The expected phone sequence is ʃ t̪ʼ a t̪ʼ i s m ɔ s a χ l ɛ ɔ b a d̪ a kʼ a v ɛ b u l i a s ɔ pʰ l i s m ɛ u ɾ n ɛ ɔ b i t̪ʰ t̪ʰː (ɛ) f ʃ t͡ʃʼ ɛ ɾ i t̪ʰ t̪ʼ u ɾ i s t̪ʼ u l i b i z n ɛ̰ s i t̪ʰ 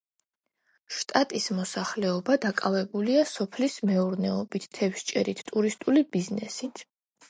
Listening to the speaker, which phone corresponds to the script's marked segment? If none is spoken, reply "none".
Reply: ɛ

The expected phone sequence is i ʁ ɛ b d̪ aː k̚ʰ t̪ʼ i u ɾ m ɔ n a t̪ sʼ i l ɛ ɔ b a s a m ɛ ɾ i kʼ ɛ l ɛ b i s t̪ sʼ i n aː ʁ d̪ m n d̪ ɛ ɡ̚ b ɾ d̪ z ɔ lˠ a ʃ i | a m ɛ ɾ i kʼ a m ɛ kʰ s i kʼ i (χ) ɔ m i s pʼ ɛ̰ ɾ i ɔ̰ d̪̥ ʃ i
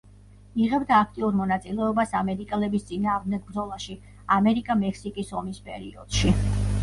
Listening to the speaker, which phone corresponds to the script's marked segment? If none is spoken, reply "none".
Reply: s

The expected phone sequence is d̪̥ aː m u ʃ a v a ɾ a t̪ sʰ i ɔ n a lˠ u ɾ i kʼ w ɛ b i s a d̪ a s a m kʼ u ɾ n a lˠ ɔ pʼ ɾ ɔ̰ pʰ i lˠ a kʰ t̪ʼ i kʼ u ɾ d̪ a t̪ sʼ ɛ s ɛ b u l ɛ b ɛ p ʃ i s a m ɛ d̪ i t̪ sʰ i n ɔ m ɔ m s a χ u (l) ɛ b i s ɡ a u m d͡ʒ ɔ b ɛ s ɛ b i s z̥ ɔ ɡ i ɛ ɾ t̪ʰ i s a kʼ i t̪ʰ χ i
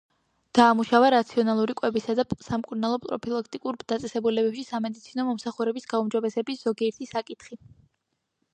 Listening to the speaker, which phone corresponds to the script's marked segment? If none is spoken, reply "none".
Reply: ɾ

